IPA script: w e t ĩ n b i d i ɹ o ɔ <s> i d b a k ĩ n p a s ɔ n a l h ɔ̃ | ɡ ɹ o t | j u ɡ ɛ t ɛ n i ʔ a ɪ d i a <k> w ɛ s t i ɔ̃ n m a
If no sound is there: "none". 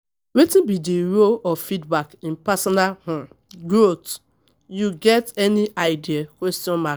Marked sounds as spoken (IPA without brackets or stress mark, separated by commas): f, k